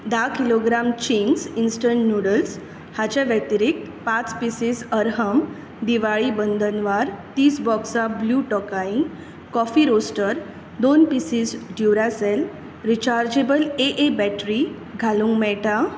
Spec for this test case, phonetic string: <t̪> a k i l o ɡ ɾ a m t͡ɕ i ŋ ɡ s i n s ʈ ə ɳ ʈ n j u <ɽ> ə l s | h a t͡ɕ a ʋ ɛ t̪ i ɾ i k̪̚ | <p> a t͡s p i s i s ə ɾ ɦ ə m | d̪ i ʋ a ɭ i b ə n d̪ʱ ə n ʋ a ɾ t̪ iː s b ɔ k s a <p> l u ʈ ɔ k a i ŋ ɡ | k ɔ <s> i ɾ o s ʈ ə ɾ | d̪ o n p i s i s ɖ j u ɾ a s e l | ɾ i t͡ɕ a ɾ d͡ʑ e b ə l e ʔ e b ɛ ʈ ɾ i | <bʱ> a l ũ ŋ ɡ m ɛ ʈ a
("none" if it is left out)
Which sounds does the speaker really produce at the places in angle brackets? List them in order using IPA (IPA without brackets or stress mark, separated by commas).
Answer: d̪, ɽ, p, b, f, ɡʱ